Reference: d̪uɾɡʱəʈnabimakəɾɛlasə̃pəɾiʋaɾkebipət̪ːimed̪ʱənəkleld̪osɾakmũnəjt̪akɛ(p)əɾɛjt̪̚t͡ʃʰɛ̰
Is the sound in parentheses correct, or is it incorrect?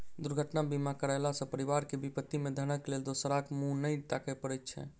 correct